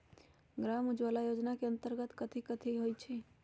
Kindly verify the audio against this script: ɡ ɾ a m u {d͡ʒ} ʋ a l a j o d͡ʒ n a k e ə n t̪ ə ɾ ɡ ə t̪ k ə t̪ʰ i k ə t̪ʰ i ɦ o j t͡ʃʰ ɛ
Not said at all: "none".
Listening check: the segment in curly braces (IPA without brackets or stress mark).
d͡ʒ